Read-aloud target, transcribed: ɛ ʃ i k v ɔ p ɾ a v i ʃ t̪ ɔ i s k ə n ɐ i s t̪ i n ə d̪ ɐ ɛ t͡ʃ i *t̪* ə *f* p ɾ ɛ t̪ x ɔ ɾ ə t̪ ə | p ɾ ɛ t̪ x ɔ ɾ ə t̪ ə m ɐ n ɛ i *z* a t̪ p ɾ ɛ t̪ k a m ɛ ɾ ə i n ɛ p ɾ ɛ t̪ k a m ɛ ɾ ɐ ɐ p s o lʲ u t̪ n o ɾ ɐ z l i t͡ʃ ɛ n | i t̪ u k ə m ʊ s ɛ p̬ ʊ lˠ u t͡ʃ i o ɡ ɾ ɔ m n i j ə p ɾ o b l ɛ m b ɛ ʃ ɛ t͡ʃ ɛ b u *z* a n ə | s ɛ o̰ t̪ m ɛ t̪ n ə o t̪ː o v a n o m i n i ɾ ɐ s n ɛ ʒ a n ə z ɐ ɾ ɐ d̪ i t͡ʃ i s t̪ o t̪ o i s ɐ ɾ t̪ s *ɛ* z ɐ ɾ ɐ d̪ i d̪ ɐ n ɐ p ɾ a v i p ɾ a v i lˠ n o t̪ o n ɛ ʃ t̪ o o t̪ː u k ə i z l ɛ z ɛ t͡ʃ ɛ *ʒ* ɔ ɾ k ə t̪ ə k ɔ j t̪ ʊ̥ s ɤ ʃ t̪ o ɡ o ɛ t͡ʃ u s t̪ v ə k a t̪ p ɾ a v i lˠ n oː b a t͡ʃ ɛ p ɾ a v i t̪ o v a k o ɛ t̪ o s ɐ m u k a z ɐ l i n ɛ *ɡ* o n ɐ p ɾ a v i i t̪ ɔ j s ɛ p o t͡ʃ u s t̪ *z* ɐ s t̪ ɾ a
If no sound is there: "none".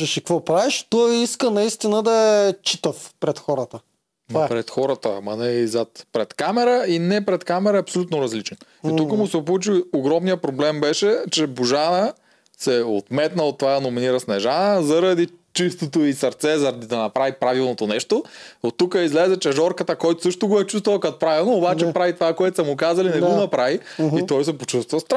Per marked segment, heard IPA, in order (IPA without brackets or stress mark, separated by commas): t̪, f, z, ʒ, ɛ, ʒ, ɡ, v